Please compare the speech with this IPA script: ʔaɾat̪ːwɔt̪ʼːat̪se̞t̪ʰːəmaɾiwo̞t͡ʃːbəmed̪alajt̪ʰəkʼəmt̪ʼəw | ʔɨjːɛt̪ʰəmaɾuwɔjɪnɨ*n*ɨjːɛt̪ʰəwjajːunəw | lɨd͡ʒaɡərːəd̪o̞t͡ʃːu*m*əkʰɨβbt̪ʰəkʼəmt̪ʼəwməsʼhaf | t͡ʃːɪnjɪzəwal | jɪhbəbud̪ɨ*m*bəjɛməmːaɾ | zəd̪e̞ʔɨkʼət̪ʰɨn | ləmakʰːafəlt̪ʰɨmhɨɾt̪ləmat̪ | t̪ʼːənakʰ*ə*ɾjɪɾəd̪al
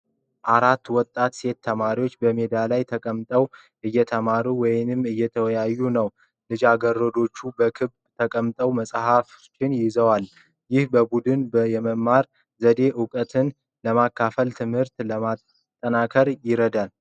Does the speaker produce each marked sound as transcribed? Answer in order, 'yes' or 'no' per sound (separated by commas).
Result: no, no, no, yes